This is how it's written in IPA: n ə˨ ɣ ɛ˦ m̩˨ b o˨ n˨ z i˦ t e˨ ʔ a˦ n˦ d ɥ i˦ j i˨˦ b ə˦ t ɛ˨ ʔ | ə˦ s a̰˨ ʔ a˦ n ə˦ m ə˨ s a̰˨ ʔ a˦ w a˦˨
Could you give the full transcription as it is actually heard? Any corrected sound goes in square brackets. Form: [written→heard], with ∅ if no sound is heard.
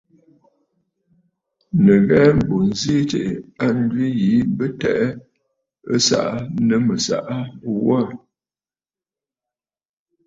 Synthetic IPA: n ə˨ ɣ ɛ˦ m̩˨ b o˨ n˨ z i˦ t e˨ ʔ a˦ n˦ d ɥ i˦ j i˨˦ b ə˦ t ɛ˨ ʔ | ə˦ s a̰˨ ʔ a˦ n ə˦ m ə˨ s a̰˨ ʔ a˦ w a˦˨